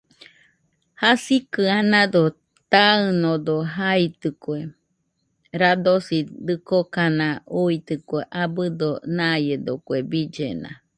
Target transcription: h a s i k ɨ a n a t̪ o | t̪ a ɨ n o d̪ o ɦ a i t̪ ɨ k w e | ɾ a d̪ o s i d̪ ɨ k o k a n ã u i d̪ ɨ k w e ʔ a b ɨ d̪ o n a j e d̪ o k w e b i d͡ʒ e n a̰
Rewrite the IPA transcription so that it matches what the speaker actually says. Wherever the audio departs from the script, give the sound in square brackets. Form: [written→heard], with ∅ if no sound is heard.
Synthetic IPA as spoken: h a s i k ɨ a n a [t̪→d̪] o | t̪ a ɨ n o d̪ o ɦ a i t̪ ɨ k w e | ɾ a d̪ o s i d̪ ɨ k o k a n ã u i [d̪→t̪] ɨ k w e ʔ a b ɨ d̪ o n a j e d̪ o k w e b i d͡ʒ e n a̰

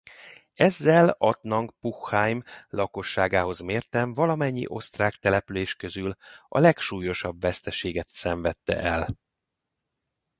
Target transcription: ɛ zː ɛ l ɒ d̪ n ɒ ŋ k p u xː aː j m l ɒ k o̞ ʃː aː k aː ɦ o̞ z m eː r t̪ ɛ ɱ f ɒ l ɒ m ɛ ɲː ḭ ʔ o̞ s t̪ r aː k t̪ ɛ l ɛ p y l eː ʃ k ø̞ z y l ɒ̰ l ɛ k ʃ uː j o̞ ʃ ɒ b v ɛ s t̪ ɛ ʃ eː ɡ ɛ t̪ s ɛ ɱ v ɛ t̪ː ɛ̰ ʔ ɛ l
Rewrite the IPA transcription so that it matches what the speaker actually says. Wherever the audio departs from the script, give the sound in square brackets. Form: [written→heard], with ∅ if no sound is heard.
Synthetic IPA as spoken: ɛ zː ɛ l ɒ [d̪→t̪] n ɒ ŋ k p u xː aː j m l ɒ k o̞ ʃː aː [k→ɡ] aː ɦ o̞ z m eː r t̪ ɛ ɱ [f→v] ɒ l ɒ m ɛ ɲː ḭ ʔ o̞ s t̪ r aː k t̪ ɛ l ɛ p y l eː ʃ k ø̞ z y l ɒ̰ l ɛ k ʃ uː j o̞ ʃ ɒ b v ɛ s t̪ ɛ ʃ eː ɡ ɛ t̪ s ɛ ɱ v ɛ t̪ː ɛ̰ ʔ ɛ l

